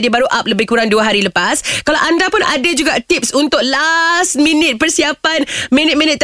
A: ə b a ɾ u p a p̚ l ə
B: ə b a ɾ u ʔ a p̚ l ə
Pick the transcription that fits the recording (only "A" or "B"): B